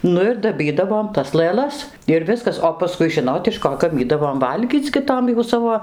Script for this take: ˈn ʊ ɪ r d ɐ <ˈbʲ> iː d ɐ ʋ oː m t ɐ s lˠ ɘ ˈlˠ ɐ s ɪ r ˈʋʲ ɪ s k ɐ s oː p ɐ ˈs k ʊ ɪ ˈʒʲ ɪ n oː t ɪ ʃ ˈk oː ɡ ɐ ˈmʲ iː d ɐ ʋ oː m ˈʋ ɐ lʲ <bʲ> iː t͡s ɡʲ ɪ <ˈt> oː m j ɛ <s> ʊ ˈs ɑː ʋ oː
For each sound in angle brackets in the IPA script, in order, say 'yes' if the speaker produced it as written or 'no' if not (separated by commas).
yes, no, yes, no